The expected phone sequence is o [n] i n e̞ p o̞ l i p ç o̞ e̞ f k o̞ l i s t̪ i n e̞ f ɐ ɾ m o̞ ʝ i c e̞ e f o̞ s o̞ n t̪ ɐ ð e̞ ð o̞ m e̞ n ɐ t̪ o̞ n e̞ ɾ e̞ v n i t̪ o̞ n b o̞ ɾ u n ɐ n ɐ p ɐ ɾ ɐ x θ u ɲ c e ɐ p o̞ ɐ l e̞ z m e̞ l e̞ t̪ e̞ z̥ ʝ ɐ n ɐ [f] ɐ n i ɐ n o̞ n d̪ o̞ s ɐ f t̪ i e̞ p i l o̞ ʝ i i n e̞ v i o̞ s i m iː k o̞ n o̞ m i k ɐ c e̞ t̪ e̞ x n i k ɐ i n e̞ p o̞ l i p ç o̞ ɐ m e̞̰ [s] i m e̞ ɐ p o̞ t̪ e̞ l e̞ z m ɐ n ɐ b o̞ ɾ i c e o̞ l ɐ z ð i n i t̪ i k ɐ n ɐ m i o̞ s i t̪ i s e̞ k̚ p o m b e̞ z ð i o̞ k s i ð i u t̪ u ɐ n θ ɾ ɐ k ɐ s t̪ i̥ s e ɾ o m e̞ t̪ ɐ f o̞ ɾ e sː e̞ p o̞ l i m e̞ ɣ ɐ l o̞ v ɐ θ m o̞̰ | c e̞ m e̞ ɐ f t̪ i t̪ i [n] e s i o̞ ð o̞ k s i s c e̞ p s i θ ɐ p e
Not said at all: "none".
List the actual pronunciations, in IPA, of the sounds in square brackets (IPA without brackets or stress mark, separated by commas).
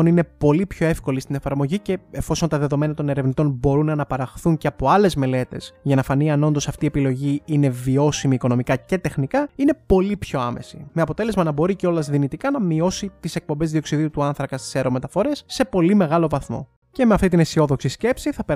n, f, s, n